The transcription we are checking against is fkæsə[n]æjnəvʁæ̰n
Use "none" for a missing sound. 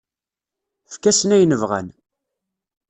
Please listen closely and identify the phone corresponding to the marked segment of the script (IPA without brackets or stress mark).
n